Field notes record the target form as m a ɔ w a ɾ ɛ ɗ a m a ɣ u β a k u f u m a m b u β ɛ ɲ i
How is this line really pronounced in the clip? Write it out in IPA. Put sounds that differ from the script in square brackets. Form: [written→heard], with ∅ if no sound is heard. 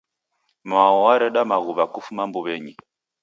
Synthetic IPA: m a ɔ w a ɾ ɛ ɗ a m a ɣ u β a k u f u m a m b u β ɛ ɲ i